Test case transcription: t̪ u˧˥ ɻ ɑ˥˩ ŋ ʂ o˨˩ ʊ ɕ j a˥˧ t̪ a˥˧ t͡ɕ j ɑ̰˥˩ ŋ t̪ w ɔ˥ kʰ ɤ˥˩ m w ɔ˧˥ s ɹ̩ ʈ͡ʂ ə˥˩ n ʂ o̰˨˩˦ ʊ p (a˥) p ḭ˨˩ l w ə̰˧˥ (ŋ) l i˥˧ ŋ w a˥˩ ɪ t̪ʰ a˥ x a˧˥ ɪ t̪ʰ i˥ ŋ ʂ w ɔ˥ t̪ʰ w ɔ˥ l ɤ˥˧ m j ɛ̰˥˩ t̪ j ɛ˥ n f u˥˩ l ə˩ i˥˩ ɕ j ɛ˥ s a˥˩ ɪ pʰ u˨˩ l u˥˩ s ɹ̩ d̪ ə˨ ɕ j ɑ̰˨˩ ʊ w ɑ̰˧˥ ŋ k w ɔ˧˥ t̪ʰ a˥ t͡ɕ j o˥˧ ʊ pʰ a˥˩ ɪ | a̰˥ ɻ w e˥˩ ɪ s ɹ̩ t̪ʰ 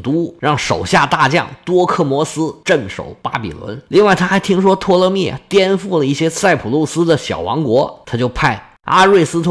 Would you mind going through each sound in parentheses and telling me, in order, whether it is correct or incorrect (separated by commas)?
correct, incorrect